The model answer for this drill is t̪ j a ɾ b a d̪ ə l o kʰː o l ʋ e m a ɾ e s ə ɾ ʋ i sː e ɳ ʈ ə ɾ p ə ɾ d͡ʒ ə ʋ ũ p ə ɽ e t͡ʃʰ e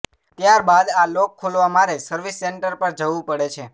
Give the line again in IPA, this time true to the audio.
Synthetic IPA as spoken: t̪ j a ɾ b a d̪ a l o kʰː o l ʋ a m a ɾ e s ə ɾ ʋ i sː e ɳ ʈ ə ɾ p ə ɾ d͡ʒ ə ʋ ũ p ə ɽ e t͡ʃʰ e